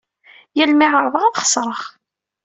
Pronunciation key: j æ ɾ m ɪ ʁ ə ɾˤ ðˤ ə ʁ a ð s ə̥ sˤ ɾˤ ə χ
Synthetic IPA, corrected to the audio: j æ l m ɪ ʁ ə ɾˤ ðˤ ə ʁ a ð χ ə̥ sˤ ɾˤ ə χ